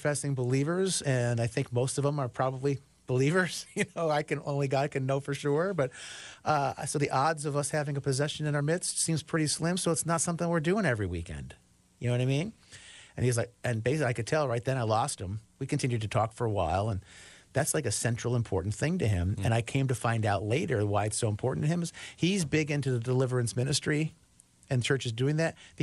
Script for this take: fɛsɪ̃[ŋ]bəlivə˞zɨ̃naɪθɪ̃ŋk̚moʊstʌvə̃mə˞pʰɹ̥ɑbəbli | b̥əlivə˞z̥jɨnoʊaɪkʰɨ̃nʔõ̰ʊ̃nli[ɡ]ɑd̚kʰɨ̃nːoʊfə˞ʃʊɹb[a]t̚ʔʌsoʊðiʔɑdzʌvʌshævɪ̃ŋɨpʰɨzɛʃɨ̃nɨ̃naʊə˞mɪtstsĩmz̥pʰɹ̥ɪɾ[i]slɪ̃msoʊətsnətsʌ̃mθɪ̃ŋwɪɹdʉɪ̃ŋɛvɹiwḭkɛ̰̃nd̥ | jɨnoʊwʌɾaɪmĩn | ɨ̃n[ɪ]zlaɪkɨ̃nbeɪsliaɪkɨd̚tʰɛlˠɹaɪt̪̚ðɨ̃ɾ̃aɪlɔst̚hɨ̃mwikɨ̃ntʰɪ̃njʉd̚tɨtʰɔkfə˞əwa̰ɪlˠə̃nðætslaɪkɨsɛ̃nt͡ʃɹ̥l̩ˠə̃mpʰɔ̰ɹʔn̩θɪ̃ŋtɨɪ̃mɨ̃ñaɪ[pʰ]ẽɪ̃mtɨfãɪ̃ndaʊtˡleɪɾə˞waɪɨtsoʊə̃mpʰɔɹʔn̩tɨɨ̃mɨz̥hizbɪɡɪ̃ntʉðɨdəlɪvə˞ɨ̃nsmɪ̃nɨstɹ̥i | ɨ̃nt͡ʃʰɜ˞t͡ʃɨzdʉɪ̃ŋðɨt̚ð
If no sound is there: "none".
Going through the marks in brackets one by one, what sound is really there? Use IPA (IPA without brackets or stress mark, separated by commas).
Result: ŋ, ɡ, ʌ, i, i, kʰ